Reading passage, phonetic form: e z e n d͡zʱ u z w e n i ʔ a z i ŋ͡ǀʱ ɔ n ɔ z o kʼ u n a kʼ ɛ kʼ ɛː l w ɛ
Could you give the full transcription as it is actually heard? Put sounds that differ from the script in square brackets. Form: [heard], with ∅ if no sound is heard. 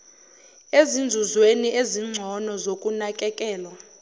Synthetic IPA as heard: e z [i] n d͡zʱ u z w e n i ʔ [e] z i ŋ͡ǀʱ ɔ n ɔ z o kʼ u n a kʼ ɛ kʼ ɛː l w [a]